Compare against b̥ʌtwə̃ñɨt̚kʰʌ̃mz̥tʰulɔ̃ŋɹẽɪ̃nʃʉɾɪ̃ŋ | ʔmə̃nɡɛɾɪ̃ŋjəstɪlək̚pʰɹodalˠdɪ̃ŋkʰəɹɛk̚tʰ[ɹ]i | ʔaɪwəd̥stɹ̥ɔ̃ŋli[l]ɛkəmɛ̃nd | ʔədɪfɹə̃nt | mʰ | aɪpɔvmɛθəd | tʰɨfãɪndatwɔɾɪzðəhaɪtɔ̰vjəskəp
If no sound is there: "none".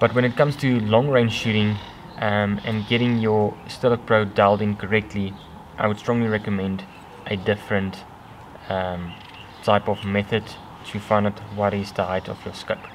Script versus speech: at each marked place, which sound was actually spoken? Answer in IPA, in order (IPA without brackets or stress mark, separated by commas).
l, ɹ